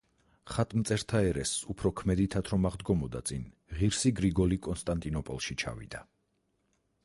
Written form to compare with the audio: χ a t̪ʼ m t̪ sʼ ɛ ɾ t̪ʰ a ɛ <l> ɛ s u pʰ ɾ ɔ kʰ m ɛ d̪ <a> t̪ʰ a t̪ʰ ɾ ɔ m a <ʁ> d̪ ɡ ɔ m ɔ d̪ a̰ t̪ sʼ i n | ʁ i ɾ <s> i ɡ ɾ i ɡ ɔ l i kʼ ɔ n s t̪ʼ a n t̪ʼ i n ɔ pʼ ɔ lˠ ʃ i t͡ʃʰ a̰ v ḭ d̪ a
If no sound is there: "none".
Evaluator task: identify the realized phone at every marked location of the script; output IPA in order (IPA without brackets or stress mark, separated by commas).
ɾ, i, ʁ, s